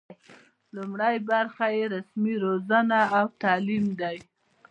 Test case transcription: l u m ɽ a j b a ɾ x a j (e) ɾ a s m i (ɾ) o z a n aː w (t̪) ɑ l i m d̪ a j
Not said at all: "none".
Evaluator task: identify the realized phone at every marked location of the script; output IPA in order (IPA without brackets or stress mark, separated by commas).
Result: e, ɾ, t̪